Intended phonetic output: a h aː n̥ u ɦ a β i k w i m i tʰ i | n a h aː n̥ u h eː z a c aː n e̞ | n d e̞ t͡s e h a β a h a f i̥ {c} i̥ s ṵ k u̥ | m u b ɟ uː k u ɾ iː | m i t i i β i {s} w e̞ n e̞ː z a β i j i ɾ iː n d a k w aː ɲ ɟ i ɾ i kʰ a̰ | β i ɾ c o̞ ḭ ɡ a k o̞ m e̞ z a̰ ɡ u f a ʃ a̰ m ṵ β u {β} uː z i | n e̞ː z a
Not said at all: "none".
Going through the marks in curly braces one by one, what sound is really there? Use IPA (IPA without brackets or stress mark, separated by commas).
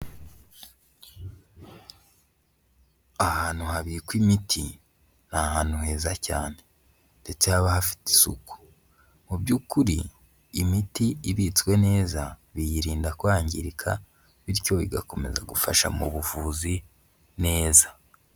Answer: t, t͡s, v